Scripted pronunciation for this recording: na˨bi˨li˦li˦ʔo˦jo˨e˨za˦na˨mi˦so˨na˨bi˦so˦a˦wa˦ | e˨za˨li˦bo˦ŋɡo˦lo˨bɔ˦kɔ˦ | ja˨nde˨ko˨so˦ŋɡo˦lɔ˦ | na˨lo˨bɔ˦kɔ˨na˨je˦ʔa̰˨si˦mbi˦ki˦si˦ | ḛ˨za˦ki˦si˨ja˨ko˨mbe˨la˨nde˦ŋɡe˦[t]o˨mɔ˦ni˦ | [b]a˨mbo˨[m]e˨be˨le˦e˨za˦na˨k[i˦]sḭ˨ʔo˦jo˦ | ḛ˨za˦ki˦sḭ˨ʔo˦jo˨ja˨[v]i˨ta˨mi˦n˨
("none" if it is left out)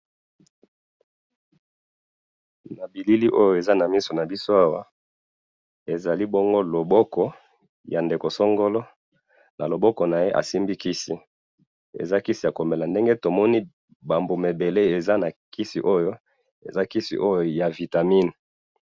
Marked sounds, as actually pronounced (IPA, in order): t, b, m, i˦, v

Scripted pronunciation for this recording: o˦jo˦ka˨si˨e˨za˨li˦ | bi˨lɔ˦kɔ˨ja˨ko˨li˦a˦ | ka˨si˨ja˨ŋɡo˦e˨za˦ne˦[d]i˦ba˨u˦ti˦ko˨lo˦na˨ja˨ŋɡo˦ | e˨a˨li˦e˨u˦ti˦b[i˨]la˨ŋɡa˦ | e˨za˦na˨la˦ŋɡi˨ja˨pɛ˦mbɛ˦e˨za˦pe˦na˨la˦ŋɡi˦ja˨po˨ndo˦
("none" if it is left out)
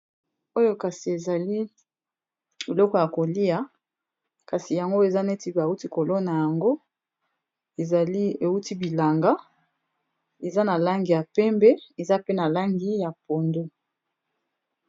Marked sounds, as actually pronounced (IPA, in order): t, i˨

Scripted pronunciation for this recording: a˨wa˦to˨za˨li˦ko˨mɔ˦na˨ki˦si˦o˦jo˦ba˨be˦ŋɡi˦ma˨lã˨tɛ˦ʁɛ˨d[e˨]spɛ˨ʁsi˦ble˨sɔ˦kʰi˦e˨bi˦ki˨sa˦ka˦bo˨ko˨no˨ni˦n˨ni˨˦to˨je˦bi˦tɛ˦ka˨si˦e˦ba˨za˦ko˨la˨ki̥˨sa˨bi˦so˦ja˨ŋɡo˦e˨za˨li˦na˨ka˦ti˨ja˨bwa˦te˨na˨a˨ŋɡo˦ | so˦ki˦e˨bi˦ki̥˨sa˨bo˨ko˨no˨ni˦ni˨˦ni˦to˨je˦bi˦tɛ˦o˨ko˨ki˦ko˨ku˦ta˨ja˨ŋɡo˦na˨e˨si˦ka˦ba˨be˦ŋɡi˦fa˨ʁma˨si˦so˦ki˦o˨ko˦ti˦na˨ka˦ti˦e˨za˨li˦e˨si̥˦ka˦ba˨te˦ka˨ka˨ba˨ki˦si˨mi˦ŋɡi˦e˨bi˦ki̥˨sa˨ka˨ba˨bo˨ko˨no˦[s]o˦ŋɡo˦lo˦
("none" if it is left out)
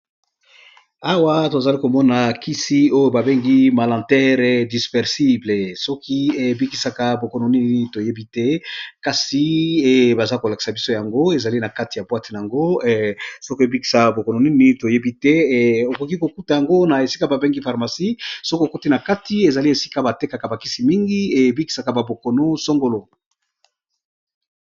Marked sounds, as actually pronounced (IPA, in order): i˨, s

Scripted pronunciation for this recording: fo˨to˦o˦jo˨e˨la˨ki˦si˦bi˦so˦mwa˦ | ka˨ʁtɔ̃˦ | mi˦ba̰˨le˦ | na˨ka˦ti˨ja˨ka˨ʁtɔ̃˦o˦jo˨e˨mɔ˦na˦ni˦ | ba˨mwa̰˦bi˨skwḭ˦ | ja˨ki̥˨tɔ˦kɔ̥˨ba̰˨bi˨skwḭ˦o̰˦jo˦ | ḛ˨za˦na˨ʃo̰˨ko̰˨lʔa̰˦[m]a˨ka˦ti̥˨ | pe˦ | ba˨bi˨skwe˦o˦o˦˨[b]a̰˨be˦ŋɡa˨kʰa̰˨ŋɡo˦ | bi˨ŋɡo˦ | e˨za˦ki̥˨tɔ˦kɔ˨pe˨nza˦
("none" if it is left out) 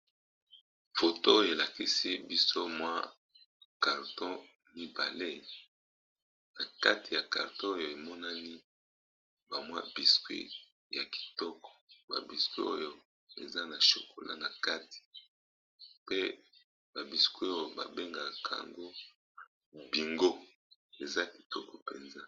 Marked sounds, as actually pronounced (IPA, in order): n, b

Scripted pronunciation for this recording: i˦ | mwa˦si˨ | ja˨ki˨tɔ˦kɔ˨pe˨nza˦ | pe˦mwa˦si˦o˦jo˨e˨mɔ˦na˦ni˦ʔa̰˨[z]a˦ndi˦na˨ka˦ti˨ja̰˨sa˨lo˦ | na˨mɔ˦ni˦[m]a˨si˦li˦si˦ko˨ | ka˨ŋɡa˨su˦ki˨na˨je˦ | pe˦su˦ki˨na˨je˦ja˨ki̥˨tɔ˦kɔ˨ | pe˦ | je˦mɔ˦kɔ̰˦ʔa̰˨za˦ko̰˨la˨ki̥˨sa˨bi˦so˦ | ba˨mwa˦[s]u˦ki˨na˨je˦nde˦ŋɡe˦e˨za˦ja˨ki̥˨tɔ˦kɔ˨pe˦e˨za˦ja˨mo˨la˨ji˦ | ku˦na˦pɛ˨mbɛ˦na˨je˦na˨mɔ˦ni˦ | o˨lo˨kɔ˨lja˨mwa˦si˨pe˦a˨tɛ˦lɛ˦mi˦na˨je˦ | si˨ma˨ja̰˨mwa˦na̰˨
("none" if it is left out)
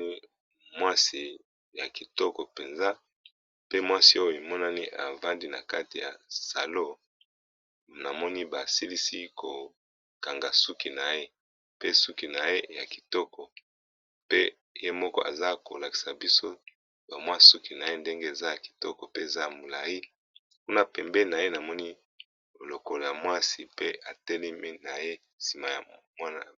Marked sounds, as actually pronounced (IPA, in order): v, b, s

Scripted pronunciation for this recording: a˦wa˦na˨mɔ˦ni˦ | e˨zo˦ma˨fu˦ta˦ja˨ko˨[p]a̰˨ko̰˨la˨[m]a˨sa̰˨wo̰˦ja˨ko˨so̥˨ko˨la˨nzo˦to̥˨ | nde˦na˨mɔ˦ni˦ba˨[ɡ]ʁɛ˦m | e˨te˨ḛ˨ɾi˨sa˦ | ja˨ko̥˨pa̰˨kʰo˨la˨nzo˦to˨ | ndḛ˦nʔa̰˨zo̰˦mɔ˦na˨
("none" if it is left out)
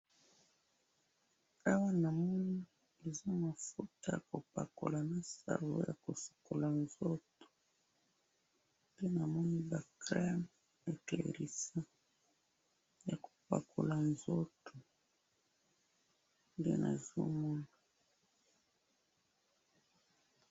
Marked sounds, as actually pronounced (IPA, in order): p, n, k

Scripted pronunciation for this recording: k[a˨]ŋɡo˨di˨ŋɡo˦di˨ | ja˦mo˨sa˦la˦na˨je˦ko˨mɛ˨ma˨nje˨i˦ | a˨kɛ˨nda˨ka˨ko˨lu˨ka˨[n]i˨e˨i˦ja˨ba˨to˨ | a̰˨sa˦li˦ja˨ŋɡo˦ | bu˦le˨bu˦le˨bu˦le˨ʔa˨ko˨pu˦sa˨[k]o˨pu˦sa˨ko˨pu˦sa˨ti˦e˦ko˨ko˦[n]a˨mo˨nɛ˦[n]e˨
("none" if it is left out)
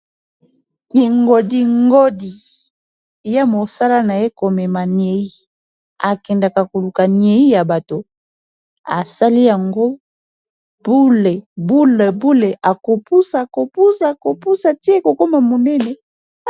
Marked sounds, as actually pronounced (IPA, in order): i˨, n, k, m, n

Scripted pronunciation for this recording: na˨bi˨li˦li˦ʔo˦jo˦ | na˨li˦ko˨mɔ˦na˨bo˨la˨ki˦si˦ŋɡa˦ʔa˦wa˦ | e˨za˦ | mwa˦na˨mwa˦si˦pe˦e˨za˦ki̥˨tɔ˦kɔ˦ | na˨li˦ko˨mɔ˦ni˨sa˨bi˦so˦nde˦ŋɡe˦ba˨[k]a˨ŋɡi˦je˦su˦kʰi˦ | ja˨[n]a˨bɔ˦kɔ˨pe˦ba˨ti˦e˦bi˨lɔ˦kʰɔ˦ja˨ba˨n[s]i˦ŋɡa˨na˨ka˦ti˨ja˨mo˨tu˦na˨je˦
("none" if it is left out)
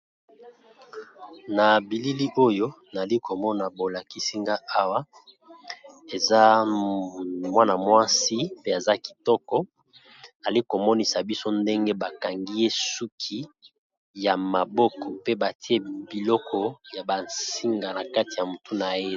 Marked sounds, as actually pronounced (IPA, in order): k, m, s

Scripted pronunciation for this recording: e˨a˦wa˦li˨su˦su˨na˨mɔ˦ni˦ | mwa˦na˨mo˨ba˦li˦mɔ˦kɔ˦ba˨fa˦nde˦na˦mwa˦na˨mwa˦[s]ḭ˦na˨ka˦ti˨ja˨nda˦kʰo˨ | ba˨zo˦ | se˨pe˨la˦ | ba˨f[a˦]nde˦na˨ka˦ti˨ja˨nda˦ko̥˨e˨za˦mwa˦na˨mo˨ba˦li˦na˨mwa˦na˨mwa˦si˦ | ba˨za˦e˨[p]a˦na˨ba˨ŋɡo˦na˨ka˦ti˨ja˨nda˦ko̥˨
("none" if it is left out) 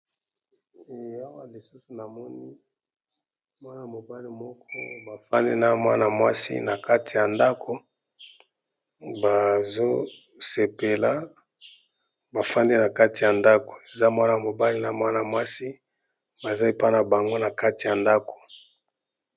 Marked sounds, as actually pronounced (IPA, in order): s, a˦, p

